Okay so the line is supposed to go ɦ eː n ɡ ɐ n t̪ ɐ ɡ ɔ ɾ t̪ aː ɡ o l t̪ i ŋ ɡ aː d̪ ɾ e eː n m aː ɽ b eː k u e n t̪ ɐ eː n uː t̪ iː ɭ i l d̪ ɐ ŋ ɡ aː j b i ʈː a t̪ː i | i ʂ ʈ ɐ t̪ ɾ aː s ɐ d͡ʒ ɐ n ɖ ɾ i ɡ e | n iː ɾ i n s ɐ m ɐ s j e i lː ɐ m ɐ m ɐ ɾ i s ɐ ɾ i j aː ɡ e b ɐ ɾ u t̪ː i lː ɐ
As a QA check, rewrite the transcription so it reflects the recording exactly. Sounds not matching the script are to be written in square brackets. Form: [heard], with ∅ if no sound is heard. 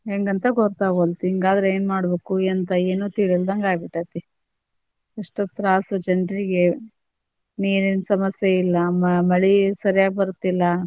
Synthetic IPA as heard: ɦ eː [ŋ] ɡ ɐ n t̪ ɐ ɡ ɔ ɾ t̪ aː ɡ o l t̪ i ŋ ɡ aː d̪ ɾ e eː n m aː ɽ b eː k u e n t̪ ɐ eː n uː t̪ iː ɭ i l d̪ ɐ ŋ ɡ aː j b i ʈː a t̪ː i | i ʂ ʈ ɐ t̪ ɾ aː s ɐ d͡ʒ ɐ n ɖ ɾ i ɡ e | n iː ɾ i n s ɐ m ɐ s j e i lː ɐ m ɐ m ɐ [ɭ] i s ɐ ɾ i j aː ɡ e b ɐ ɾ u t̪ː i lː ɐ

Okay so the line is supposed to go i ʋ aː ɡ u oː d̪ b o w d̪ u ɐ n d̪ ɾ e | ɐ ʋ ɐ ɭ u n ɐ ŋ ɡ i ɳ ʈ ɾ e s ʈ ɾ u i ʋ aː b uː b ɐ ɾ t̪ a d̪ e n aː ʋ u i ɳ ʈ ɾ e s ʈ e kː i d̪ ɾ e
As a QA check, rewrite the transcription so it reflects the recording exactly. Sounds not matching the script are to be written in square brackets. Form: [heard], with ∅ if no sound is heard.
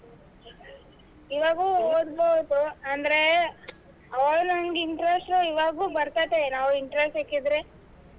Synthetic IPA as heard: i ʋ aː ɡ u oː d̪ b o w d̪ u ɐ n d̪ ɾ e | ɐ ʋ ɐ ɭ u n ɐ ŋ ɡ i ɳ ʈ ɾ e s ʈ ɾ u i ʋ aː [ɡ] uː b ɐ ɾ t̪ a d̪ e n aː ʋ u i ɳ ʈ ɾ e s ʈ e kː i d̪ ɾ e

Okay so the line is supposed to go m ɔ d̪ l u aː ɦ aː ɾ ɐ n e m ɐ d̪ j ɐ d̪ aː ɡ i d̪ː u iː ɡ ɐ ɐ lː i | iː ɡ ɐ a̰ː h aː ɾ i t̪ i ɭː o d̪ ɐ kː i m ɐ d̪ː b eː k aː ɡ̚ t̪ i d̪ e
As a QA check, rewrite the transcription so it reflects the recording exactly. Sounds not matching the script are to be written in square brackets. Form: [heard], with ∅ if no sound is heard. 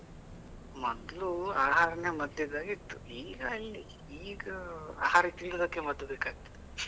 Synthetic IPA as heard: m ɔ d̪ l u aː ɦ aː ɾ ɐ n e m ɐ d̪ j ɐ d̪ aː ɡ i [t̪ː] u iː ɡ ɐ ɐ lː i | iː ɡ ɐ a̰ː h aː ɾ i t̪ i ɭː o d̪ ɐ kː [e] m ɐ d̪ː b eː k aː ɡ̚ t̪ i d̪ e

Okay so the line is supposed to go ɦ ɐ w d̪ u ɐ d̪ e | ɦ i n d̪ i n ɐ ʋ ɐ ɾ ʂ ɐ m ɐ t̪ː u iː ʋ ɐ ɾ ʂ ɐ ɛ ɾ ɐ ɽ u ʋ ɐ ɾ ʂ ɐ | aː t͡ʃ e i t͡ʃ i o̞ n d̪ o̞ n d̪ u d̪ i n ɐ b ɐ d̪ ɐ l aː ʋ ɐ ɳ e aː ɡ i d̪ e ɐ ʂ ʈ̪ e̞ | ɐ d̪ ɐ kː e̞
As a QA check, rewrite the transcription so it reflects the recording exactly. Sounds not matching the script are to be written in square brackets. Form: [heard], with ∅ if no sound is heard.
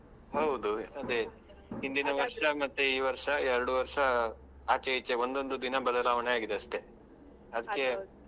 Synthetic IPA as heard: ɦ ɐ w d̪ u ɐ d̪ e | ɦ i n d̪ i n ɐ ʋ ɐ ɾ ʂ ɐ m ɐ t̪ː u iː ʋ ɐ ɾ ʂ ɐ ɛ ɾ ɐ ɽ u ʋ ɐ ɾ ʂ ɐ | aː t͡ʃ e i t͡ʃ [e] o̞ n d̪ o̞ n d̪ u d̪ i n ɐ b ɐ d̪ ɐ l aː ʋ ɐ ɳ e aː ɡ i d̪ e ɐ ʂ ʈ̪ e̞ | ɐ d̪ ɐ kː e̞

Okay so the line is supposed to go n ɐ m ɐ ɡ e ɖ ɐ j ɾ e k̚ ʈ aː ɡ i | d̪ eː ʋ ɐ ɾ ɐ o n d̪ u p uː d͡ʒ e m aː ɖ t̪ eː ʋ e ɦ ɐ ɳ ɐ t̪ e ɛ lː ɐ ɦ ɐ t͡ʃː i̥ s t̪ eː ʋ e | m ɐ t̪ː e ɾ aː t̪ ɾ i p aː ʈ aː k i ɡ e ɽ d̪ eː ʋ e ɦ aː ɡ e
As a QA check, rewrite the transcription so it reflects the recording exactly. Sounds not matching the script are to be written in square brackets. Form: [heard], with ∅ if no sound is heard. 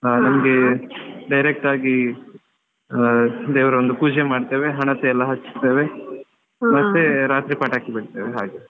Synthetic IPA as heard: n ɐ m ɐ ɡ e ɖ ɐ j ɾ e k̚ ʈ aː ɡ i | d̪ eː ʋ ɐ ɾ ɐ o n d̪ u p uː d͡ʒ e m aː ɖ t̪ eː ʋ e ɦ ɐ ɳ ɐ t̪ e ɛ lː ɐ ɦ ɐ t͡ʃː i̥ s t̪ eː ʋ e | m ɐ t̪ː e ɾ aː t̪ ɾ i p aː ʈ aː k i [b] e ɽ [t̪] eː ʋ e ɦ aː ɡ e

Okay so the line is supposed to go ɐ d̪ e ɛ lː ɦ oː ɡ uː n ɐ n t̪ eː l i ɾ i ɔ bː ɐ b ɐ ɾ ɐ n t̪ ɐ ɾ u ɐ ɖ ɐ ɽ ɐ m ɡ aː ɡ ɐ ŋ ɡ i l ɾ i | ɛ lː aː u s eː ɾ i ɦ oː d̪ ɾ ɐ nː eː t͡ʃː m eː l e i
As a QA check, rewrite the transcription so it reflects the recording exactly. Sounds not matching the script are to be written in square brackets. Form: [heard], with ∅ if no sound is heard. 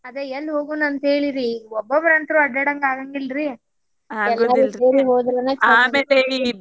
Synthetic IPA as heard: ɐ d̪ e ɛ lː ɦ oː ɡ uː n ɐ n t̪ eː [ɭ] i ɾ i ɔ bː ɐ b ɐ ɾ ɐ n t̪ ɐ ɾ u ɐ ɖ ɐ ɽ ɐ [ŋ] ɡ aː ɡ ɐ ŋ ɡ i l ɾ i | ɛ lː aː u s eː ɾ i ɦ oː d̪ ɾ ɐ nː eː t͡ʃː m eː l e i

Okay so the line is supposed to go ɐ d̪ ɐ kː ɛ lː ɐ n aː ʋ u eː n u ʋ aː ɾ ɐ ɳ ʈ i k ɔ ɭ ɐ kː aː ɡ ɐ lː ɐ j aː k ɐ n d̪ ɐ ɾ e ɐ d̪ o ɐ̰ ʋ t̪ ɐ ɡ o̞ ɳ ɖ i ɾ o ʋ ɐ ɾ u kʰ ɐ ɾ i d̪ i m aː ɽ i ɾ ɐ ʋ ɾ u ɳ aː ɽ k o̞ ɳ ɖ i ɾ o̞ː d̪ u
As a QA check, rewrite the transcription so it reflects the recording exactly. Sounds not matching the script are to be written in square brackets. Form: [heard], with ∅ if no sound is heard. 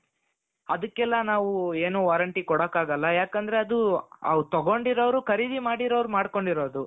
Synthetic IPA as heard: ɐ d̪ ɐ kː ɛ lː ɐ n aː ʋ u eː n u ʋ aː ɾ ɐ ɳ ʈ i k ɔ [ɽ] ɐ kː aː ɡ ɐ lː ɐ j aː k ɐ n d̪ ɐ ɾ e ɐ d̪ [u] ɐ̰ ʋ t̪ ɐ ɡ o̞ ɳ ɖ i ɾ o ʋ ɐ ɾ u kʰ ɐ ɾ i d̪ i m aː ɽ i ɾ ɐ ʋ ɾ u [m] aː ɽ k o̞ ɳ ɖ i ɾ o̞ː d̪ u

